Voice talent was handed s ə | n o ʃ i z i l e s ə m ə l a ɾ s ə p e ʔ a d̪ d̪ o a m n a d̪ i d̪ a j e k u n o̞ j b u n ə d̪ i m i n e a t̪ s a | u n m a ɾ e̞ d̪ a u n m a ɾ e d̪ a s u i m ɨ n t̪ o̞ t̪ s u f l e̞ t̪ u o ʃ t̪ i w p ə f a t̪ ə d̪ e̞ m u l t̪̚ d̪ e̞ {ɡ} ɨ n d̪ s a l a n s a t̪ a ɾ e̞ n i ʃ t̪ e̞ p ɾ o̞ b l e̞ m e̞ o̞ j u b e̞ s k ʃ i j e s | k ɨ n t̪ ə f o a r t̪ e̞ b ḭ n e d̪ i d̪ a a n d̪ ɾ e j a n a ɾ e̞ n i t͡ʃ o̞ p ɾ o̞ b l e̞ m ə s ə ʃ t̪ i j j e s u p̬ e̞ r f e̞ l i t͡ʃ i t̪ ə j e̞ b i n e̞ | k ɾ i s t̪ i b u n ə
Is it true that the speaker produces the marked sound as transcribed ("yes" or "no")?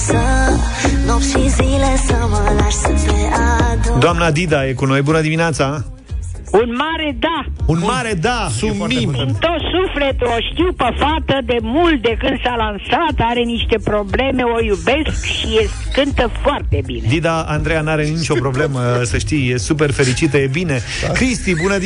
no